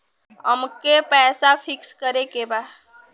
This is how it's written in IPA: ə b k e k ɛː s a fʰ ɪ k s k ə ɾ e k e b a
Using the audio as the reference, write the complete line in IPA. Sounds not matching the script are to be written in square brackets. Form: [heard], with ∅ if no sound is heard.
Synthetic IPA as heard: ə [m] k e [p] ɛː s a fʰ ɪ k s k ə ɾ e k e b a